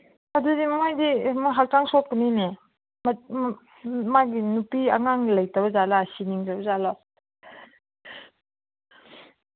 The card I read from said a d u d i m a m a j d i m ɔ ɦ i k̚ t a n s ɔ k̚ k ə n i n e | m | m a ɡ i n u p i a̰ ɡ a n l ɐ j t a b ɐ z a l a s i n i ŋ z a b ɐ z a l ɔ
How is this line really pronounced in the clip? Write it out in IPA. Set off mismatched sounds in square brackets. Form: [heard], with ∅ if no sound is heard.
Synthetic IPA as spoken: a d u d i m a m a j d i m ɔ ɦ [a] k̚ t a [ŋ] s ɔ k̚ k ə n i n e | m | m a ɡ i n u p i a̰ [ŋ] a [ŋ] l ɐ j t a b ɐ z a l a s i n i ŋ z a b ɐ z a l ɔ

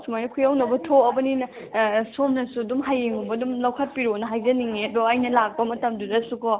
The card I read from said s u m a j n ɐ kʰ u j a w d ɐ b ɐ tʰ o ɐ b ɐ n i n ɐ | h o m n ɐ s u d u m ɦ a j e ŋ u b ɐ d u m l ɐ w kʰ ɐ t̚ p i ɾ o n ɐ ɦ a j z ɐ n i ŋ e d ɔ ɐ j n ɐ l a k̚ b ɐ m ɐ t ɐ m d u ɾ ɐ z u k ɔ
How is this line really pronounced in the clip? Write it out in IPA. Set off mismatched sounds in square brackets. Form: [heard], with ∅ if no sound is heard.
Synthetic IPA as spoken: s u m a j n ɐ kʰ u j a w [n] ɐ b ɐ tʰ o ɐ b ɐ n i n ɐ | [s] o m n ɐ s u d u m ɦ a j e ŋ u b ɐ d u m l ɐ w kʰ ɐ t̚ p i ɾ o n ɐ ɦ a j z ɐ n i ŋ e d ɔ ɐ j n ɐ l a k̚ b ɐ m ɐ t ɐ m d u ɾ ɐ [s] u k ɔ

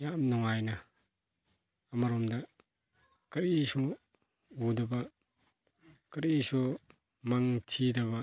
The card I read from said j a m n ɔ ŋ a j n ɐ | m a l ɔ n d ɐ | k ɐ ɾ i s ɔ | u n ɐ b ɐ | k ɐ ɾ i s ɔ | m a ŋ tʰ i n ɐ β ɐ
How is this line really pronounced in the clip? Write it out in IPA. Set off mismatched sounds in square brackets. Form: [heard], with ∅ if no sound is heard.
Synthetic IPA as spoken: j a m n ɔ ŋ a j n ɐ | m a [ɾ] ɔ [m] d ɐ | k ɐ ɾ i s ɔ | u [d] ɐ b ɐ | k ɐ ɾ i s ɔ | m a ŋ tʰ i [d] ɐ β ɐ

